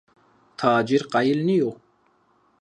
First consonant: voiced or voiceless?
voiceless